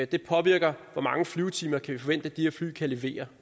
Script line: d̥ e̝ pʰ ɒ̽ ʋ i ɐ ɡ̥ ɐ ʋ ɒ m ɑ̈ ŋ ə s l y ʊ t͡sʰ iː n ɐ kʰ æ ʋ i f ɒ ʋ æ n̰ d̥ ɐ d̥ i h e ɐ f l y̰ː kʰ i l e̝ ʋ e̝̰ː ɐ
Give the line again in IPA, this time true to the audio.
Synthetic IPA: d̥ e̝ pʰ ɒ̽ ʋ i ɐ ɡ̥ ɐ ʋ ɒ m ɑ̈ ŋ ə f l y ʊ t͡sʰ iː m ɐ kʰ æ ʋ i f ɒ ʋ e n̰ d̥ ə d̥ i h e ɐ f l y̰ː kʰ æ l e̝ ʋ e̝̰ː ɐ